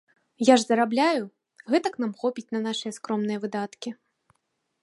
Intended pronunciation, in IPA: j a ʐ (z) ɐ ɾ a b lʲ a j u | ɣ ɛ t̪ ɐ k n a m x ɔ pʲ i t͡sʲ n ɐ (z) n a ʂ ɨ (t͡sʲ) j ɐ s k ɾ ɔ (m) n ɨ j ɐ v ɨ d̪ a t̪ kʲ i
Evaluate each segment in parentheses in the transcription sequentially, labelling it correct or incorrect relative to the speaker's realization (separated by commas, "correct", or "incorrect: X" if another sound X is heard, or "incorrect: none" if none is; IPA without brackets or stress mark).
correct, incorrect: none, incorrect: none, correct